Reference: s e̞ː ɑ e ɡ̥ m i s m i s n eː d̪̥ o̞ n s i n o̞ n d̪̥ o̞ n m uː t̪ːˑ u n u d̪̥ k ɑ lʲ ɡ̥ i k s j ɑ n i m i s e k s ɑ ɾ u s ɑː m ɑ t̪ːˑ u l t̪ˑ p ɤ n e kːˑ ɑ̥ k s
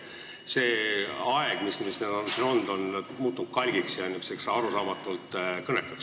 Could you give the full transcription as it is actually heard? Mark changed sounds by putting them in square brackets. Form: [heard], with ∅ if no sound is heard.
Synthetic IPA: s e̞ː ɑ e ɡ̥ m i s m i s n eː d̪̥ o̞ n s i n o̞ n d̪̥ o̞ n m uː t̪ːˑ u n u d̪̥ k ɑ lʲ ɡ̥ i k s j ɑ n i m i s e k s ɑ ɾ u s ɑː m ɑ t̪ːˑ u l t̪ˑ [k] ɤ n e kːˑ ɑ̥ k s

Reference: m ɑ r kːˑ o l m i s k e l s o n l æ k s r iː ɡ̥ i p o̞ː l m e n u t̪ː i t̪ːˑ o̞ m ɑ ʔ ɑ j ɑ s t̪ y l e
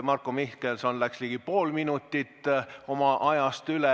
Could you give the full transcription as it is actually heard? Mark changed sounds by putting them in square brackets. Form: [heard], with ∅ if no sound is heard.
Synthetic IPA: m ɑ r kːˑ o [∅] m i [h] k e l s o n l æ k s [l] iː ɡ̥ i p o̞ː l m [i] n u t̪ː i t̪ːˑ o̞ m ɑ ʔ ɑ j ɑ s t̪ y l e

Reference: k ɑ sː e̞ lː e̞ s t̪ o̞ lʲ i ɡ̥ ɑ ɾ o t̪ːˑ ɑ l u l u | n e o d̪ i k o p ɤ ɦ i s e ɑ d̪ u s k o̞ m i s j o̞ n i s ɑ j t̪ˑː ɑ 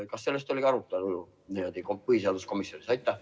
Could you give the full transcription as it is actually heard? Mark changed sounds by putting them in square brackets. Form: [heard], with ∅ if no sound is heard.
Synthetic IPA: k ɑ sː e̞ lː e̞ s t̪ o̞ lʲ i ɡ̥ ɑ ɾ [u] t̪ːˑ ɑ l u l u | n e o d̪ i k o p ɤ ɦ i s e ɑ d̪ u s k o̞ m i s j o̞ n i s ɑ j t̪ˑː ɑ

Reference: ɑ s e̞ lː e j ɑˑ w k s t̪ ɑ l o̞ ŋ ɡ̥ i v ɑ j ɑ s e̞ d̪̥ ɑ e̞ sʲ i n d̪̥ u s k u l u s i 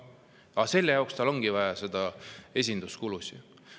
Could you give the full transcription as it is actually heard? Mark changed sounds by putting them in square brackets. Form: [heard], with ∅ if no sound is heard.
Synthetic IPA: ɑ s e̞ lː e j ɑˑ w k s t̪ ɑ l o̞ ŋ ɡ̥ i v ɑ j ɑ s e̞ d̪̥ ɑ e̞ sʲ i n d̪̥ u s k u l u s i

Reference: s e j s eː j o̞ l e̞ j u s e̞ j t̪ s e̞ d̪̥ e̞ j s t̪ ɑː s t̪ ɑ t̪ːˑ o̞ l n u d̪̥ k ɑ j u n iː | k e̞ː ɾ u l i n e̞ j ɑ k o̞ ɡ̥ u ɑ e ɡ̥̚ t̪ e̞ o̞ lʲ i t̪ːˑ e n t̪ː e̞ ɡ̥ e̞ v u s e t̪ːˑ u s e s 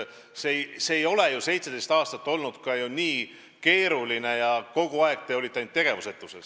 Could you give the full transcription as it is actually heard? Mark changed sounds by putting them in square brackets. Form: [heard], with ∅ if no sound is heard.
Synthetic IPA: s e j s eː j o̞ l e̞ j u s e̞ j t̪ s e̞ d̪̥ e̞ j s t̪ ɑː s t̪ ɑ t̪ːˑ o̞ l n u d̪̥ k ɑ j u n iː | k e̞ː ɾ u l i n e̞ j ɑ k o̞ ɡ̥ u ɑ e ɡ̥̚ t̪ e̞ o̞ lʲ i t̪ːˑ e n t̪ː e̞ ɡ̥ e̞ v u s e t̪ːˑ u s e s

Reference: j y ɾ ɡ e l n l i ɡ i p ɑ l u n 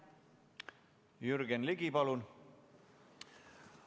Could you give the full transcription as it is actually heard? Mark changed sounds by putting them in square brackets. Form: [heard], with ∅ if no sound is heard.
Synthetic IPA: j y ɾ ɡ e [∅] n l i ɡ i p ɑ l u n

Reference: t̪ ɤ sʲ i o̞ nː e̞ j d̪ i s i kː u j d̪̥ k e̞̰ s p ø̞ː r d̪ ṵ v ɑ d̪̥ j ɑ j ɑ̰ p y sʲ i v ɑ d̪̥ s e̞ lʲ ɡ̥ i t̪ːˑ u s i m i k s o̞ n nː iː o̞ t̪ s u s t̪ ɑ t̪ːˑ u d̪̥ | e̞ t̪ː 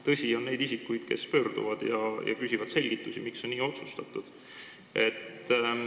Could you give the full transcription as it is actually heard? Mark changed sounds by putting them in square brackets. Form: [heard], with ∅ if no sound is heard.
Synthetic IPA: t̪ ɤ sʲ i o̞ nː e̞ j d̪ i s i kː u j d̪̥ k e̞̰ s p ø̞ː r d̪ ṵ v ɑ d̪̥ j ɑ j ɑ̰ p y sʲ i v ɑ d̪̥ s e̞ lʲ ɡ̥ i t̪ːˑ u s i m i k s o̞ n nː iː o̞ t̪ s u s t̪ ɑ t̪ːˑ u d̪̥ | e̞ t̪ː

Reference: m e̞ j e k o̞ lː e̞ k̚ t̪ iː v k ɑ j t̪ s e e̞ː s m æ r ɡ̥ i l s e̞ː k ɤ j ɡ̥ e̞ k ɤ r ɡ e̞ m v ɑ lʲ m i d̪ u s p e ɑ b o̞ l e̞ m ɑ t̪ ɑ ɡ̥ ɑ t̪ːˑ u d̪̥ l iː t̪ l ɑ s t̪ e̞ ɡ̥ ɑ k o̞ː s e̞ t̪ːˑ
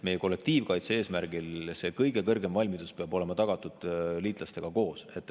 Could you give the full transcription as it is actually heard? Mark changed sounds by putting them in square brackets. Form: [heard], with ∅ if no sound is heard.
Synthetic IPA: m e̞ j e k o̞ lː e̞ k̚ t̪ iː v k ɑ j t̪ s e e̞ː s m æ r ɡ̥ i l s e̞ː k ɤ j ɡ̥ e̞ k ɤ r ɡ e̞ m v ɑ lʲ m i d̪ u s p e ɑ b o̞ l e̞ m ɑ t̪ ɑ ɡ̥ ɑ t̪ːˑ u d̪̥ l iː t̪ l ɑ s t̪ e̞ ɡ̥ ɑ k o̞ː s e̞ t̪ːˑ

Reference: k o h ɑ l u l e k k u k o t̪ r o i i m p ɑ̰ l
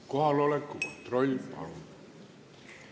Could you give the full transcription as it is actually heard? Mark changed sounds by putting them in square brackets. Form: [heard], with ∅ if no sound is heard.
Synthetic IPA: k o h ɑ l [o] l e k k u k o t̪ r o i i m p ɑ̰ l

